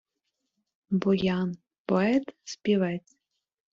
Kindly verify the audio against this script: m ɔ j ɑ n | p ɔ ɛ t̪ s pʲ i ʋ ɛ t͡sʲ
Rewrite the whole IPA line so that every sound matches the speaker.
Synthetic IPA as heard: b ɔ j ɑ n | p ɔ ɛ t̪ s pʲ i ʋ ɛ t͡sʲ